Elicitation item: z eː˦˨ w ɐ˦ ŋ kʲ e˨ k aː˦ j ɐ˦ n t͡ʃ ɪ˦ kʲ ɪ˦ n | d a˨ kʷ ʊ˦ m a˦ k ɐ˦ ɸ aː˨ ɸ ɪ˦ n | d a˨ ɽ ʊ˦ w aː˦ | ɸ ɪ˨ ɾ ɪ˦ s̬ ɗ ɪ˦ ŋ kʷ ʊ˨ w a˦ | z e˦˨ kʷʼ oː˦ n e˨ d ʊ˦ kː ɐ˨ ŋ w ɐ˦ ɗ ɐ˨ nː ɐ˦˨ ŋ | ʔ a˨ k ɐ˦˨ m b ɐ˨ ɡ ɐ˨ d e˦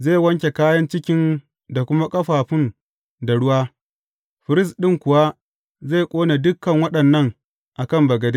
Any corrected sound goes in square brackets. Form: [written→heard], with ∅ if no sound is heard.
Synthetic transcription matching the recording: z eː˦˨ w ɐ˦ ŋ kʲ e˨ k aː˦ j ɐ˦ n t͡ʃ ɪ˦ kʲ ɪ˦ n | d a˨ kʷ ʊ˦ m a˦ [k→kʼ] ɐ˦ ɸ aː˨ ɸ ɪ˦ n | d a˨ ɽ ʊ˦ w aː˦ | ɸ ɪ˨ ɾ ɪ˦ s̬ ɗ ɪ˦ ŋ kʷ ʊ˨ w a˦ | z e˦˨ kʷʼ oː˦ n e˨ d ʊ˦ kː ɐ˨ ŋ w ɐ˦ ɗ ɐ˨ nː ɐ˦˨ ŋ | ʔ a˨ k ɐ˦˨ m b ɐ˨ ɡ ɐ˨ d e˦